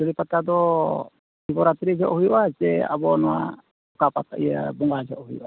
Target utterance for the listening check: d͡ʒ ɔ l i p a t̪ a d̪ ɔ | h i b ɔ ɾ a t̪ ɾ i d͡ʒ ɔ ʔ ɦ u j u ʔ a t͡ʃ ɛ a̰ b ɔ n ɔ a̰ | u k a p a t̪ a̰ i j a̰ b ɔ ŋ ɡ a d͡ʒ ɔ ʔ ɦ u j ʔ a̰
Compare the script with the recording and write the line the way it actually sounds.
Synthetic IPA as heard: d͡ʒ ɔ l i p a t̪ a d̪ ɔ | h i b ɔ ɾ a t̪ ɾ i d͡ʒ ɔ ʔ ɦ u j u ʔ a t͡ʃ ɛ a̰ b ɔ n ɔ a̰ | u k a p a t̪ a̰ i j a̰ b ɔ ŋ ɡ a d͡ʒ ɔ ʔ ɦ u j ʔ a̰